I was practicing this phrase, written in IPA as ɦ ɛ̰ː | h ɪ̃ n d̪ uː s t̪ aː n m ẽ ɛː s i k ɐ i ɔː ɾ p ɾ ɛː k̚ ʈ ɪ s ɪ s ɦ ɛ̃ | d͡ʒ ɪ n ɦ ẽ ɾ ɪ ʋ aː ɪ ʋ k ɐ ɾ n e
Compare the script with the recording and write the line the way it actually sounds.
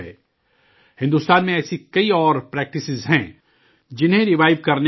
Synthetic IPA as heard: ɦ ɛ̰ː | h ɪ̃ n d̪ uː s t̪ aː n m ẽ ɛː s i k ɐ i ɔː ɾ p ɾ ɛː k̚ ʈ ɪ s ɪ z ɦ ɛ̃ | d͡ʒ ɪ n ɦ ẽ ɾ ɪ ʋ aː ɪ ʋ k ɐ ɾ n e